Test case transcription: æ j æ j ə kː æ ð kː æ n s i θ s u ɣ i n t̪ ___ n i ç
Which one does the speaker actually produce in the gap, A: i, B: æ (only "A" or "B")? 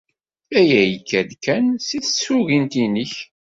A